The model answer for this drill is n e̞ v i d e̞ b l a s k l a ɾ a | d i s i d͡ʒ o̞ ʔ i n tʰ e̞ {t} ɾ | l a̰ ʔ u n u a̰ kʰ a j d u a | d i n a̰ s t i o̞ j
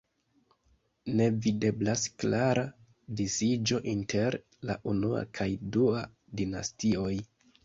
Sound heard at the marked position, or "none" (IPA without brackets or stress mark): none